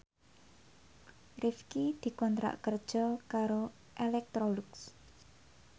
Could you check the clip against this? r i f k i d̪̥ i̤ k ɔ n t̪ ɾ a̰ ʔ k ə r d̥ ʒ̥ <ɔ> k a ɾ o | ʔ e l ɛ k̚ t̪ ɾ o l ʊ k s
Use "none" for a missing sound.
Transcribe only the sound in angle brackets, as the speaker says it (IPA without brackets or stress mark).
ɔ